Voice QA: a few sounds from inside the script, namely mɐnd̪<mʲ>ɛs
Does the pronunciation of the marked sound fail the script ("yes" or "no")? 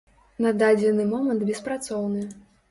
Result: yes